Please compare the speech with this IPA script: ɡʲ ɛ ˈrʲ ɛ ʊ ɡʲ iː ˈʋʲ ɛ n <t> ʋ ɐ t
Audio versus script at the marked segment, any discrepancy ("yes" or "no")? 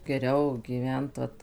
no